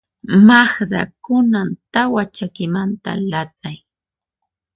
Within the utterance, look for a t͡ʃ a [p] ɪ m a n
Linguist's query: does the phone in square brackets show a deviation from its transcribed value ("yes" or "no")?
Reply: yes